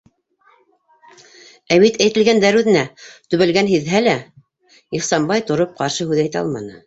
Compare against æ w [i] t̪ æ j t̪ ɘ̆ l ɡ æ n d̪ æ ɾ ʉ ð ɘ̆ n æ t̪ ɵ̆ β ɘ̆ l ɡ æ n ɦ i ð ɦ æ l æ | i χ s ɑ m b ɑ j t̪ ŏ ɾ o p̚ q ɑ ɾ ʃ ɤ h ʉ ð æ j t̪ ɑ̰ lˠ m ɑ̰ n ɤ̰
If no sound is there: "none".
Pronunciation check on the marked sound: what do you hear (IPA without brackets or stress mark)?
i